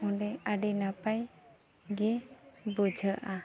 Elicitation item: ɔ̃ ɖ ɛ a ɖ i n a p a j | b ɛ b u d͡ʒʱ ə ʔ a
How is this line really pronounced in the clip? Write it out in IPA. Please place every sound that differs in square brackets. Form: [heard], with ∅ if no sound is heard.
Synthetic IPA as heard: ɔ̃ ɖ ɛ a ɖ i n a p a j | [ɡ] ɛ b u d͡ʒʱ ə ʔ a